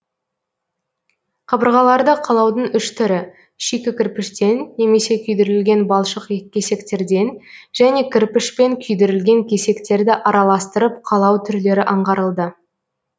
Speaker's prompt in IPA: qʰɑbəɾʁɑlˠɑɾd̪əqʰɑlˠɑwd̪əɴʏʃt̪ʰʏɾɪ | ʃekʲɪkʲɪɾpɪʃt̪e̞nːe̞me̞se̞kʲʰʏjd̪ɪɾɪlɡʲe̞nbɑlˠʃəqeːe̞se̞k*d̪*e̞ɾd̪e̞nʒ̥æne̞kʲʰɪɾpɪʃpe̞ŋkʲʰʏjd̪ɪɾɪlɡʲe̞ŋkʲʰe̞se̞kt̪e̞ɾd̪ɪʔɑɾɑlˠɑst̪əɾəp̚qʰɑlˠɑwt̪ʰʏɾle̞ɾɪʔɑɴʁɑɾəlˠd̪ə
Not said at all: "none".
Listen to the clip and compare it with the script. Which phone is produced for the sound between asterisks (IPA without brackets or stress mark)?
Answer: t̪